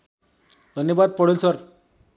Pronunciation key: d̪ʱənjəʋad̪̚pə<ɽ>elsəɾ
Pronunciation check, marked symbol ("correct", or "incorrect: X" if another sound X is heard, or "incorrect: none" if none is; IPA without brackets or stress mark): correct